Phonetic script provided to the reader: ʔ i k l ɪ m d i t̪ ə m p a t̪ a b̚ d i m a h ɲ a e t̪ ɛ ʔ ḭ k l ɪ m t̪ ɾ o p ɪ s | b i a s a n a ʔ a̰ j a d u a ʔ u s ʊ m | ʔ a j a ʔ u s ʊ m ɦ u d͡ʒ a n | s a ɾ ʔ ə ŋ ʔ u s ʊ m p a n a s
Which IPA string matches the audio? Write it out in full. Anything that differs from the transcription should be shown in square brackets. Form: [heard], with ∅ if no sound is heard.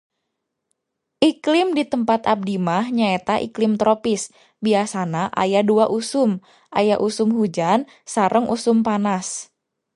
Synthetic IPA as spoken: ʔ i k l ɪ m d i t̪ ə m p a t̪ a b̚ d i m a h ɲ a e t̪ [a] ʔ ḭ k l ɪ m t̪ ɾ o p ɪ s | b i a s a n a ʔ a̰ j a d u a ʔ u s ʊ m | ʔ a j a ʔ u s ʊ m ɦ u d͡ʒ a n | s a ɾ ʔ ə ŋ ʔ u s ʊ m p a n a s

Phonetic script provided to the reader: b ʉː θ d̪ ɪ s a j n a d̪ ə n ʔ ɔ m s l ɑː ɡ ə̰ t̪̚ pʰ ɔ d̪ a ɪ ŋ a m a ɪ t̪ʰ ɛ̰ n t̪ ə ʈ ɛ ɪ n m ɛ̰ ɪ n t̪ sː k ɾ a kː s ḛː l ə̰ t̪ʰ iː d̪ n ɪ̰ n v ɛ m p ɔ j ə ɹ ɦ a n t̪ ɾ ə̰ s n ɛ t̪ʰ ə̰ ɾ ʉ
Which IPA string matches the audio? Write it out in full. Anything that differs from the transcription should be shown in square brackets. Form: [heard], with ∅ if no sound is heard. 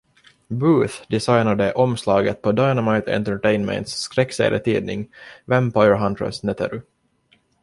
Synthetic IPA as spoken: b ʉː θ d̪ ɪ s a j n a d̪ ə [∅] ʔ ɔ m s l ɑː ɡ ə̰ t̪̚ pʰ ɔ d̪ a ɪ [n] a m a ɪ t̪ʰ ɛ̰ n t̪ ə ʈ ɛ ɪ n m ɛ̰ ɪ n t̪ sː k ɾ [ɛ] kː s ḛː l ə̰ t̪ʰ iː d̪ n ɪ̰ [ŋ] v ɛ m p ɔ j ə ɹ ɦ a n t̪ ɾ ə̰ s n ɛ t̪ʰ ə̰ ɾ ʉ

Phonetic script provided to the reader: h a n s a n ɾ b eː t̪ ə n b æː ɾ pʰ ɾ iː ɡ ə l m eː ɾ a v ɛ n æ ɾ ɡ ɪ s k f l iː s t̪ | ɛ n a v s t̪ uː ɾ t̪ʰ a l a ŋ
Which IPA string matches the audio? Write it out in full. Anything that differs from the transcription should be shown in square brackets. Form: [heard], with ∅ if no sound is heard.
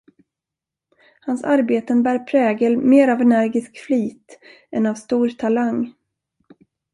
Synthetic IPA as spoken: h a n s a [∅] ɾ b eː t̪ ə n b æː ɾ pʰ ɾ [ɛː] ɡ ə l m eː ɾ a v ɛ n æ ɾ ɡ ɪ s k f l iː [∅] t̪ | ɛ n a v s t̪ uː ɾ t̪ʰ a l a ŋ

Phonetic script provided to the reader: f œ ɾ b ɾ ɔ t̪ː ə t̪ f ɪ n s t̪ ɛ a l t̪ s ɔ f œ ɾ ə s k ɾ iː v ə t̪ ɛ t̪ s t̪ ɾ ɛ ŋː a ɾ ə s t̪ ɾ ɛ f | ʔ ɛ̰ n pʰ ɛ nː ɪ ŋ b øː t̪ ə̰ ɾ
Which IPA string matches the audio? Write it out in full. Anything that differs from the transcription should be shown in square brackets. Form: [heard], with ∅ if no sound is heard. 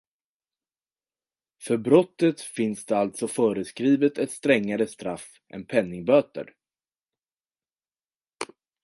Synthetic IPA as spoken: f œ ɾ b ɾ ɔ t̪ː ə t̪ f ɪ n s [d̪] ɛ a l t̪ s ɔ f [œː] ɾ ə s k ɾ iː v ə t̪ ɛ t̪ s t̪ ɾ ɛ ŋː a ɾ ə s t̪ ɾ [a] f | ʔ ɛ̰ n pʰ ɛ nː ɪ ŋ b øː t̪ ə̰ ɾ

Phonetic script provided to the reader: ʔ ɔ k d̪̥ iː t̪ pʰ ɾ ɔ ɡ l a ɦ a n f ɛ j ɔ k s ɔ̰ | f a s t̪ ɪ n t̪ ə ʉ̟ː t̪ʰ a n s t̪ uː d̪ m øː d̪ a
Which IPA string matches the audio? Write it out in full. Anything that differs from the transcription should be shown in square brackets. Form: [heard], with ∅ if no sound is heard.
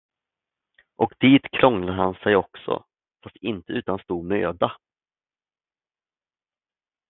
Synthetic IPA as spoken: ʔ ɔ k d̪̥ iː t̪ [kʰ] ɾ ɔ [ŋ] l a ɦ a n [s] ɛ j ɔ k s ɔ̰ | f a s t̪ ɪ n t̪ ə ʉ̟ː [t̪] a n s t̪ uː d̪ m øː d̪ a

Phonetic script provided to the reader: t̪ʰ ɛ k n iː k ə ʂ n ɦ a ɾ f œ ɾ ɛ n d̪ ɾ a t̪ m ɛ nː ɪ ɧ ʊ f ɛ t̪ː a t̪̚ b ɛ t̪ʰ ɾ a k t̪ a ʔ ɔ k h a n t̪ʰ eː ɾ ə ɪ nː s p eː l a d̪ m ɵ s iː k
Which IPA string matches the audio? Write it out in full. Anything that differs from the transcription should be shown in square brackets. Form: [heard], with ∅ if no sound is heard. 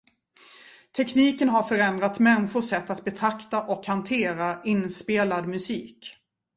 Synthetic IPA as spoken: t̪ʰ ɛ k n iː k ə [∅] n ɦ a ɾ f œ ɾ ɛ n d̪ ɾ a t̪ m ɛ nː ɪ ɧ ʊ [ʂ] ɛ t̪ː a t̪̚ b ɛ t̪ʰ ɾ a k t̪ a ʔ ɔ k h a n t̪ʰ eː ɾ [a] ɪ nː s p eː l a d̪ m ɵ s iː k

